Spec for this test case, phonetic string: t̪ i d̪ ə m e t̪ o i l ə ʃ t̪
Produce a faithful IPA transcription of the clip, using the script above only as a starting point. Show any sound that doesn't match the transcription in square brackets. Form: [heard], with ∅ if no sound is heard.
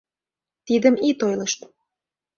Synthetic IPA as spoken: t̪ i d̪ ə m [i] t̪ o [j] l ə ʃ t̪